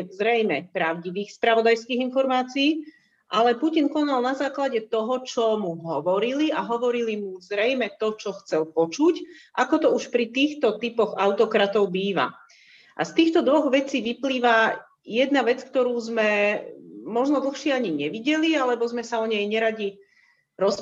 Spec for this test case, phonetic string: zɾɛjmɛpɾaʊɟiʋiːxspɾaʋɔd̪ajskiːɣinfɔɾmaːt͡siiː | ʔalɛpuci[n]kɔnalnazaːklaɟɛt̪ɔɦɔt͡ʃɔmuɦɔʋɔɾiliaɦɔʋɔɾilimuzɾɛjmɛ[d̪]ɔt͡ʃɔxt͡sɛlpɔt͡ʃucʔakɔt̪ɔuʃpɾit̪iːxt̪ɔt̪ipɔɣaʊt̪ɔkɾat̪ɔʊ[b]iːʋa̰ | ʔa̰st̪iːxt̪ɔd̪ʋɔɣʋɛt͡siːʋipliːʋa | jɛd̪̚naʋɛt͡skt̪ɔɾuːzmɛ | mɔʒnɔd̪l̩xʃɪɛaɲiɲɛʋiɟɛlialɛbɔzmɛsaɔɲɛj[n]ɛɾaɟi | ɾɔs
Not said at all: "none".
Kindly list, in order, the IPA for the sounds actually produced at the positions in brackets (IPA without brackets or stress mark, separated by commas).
n, t̪, b, ɲ